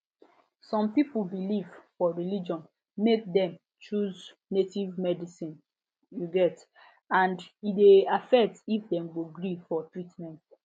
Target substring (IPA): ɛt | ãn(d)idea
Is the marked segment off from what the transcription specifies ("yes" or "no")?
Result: no